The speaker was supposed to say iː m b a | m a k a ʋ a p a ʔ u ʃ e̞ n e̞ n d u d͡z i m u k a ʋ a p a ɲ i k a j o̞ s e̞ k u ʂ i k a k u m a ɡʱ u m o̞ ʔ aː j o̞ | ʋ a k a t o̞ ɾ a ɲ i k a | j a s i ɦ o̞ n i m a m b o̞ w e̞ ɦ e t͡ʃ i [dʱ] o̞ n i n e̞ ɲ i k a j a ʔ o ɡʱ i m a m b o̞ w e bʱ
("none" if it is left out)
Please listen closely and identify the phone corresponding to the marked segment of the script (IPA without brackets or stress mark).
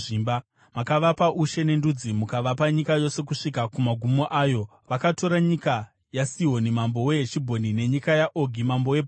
bʱ